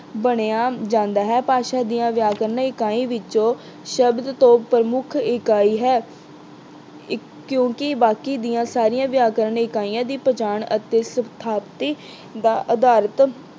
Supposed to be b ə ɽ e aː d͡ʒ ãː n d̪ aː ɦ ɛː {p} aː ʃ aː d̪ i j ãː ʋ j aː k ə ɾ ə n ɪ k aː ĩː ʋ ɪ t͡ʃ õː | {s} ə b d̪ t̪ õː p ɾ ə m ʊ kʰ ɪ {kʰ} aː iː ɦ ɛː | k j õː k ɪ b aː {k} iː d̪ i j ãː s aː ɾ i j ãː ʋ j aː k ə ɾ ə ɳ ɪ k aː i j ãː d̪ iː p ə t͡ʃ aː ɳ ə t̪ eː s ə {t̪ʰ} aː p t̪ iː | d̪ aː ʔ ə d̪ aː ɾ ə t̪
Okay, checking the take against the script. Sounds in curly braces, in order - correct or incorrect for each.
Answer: correct, incorrect: ʃ, incorrect: k, correct, correct

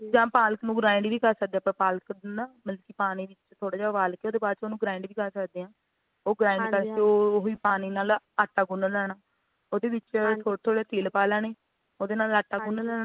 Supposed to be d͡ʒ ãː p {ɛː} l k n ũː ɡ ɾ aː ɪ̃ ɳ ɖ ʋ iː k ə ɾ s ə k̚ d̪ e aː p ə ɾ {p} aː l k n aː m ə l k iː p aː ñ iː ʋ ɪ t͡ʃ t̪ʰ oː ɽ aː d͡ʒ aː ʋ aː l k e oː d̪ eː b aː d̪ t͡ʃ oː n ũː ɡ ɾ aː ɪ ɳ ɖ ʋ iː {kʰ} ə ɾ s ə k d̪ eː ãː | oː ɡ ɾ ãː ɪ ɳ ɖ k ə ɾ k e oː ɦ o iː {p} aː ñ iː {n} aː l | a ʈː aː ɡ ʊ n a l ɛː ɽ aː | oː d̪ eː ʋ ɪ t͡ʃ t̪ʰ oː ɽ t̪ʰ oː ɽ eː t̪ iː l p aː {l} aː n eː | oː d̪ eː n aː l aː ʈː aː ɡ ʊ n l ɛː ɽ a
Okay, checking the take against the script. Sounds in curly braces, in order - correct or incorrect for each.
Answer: incorrect: aː, correct, incorrect: k, correct, correct, correct

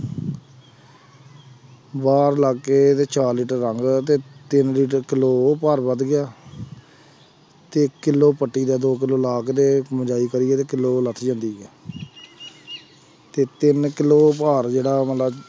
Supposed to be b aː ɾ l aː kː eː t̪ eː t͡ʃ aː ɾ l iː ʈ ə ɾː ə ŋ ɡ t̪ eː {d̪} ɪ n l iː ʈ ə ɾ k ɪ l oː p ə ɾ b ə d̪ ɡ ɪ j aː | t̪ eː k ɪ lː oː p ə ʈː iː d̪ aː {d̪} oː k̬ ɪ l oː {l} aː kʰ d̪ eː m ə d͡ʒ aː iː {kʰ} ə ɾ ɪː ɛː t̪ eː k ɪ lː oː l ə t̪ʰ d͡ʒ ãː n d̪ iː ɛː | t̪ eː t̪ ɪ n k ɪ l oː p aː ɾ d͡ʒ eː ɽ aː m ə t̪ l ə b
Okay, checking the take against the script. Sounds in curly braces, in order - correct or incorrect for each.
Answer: incorrect: t̪, correct, correct, incorrect: k

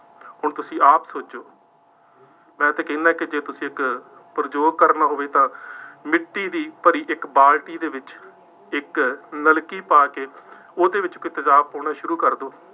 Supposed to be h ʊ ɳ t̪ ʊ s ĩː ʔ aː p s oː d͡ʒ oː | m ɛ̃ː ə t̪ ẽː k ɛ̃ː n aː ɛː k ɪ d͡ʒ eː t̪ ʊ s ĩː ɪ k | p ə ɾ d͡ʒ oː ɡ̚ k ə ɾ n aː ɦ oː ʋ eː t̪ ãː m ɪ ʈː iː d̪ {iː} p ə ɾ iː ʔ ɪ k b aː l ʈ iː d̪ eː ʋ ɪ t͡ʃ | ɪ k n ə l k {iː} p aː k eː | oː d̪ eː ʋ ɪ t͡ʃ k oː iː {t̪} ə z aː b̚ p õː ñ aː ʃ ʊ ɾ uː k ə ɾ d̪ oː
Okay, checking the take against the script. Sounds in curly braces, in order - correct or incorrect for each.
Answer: correct, correct, correct

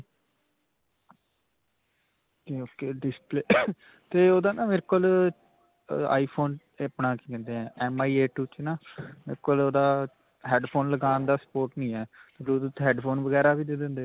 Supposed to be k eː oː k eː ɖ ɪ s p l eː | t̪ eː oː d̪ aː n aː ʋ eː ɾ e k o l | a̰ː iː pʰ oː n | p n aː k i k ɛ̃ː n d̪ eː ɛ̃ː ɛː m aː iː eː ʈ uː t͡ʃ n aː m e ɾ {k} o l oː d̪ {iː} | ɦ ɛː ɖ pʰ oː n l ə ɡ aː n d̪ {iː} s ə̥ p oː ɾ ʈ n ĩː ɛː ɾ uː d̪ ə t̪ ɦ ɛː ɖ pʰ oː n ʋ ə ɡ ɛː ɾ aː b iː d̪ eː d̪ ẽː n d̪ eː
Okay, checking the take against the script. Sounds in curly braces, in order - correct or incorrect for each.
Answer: correct, incorrect: aː, incorrect: aː

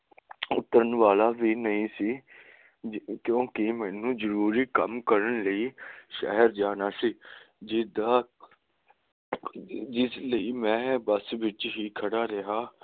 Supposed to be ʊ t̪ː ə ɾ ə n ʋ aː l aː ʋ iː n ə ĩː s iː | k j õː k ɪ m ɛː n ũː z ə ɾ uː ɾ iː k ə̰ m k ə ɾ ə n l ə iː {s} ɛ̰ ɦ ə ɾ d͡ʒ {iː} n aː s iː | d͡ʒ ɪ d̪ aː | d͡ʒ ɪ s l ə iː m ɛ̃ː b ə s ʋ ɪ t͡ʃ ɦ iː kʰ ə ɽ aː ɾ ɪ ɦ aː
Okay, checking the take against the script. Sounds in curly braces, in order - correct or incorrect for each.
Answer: incorrect: ʃ, incorrect: aː

